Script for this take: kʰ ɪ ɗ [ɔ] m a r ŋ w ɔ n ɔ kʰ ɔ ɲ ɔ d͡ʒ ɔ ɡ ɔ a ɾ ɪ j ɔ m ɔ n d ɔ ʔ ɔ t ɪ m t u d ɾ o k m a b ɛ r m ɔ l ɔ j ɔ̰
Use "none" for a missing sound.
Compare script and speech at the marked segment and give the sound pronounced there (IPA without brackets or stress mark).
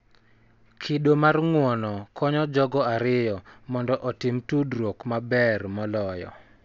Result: o